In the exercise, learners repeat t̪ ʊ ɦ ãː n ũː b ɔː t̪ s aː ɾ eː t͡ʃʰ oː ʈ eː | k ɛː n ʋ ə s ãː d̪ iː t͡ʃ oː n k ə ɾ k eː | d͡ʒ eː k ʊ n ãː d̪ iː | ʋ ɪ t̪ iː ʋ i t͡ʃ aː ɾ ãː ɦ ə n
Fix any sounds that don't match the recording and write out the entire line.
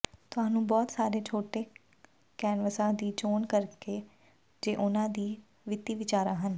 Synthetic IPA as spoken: t̪ ʊ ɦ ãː n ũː b ɔː t̪ s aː ɾ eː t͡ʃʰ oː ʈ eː | k ɛː n ʋ ə s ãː d̪ iː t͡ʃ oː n k ə ɾ k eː | d͡ʒ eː ʔ ʊ n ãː d̪ iː | ʋ ɪ t̪ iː ʋ ɪ t͡ʃ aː ɾ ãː ɦ ə n